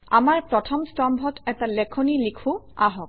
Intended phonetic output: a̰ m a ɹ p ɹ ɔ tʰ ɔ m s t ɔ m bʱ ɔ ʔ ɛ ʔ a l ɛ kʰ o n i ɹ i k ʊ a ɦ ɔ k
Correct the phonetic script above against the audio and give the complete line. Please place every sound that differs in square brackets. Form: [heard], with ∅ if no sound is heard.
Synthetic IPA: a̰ m a ɹ p ɹ ɔ tʰ ɔ m s t ɔ m bʱ ɔ [t] ɛ [t] a l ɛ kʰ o n i [l] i [kʰ] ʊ a ɦ ɔ k